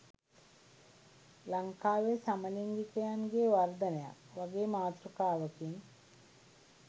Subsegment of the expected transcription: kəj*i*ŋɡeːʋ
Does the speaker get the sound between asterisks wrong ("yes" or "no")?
yes